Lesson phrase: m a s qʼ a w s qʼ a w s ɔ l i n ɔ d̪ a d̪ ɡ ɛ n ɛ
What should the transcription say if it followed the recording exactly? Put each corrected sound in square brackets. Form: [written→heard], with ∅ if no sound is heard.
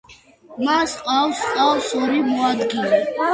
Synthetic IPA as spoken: m a s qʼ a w s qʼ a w s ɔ [l→ɾ] i [n→m] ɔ [d̪→∅] a d̪ ɡ [ɛ→i] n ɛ